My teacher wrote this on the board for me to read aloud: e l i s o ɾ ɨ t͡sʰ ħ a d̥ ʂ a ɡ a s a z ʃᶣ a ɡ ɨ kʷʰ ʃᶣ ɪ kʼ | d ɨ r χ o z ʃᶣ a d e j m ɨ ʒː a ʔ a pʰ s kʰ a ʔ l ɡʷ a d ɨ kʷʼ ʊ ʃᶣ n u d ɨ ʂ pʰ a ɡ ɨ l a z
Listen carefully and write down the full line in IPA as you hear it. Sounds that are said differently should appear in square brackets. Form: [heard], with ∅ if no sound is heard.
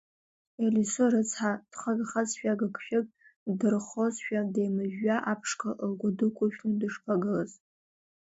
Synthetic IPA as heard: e l i s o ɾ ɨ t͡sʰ ħ a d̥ [χ] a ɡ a [χ] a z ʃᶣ a ɡ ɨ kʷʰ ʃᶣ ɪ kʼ | d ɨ r χ o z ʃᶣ a d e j m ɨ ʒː a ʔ a pʰ [ʂ] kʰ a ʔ l ɡʷ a d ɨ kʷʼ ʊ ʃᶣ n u d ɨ ʂ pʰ a ɡ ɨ l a z

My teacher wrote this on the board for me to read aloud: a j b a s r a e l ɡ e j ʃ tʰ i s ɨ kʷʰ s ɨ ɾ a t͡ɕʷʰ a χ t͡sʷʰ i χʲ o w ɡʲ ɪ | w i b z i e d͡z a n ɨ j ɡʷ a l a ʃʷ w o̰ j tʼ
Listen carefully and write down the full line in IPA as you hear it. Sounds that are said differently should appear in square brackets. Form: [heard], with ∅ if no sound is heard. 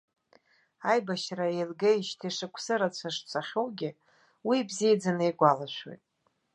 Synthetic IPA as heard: a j b a [ʃ] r a e l ɡ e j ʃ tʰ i [ʂ] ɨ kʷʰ s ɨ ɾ a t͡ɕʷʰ a [ʂ] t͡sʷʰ [a] χʲ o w ɡʲ ɪ | w i b z i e d͡z a n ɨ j ɡʷ a l a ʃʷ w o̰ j tʼ

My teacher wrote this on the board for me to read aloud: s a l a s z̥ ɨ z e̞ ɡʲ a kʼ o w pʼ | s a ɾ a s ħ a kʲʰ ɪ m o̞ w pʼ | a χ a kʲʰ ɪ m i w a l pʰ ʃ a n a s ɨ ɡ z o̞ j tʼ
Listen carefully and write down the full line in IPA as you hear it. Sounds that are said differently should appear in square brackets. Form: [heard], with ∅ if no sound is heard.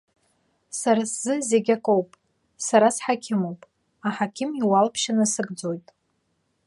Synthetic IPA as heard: s a [ɾ] a s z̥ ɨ z e̞ ɡʲ a kʼ o w pʼ | s a ɾ a s ħ a kʲʰ ɪ m o̞ w pʼ | a [ħ] a kʲʰ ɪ m i w a l pʰ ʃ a n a s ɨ ɡ [d͡z] o̞ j tʼ

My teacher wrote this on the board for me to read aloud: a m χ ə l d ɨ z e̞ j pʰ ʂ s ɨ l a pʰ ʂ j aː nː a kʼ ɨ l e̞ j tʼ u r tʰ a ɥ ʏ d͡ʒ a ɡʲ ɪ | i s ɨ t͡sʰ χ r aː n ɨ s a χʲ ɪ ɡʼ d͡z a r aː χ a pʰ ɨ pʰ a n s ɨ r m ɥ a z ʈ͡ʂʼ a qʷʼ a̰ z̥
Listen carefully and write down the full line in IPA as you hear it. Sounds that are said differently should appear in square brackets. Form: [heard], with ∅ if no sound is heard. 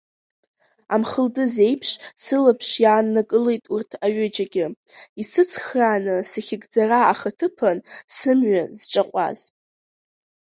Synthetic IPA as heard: a m χ ə l d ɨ z e̞ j pʰ ʂ s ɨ l a pʰ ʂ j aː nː a kʼ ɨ l e̞ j tʼ u r tʰ a ɥ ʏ d͡ʒ a ɡʲ ɪ | i s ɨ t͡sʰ χ r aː n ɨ s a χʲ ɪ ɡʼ d͡z a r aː χ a [tʰ] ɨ pʰ a n s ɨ [∅] m ɥ a z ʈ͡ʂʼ a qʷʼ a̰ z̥

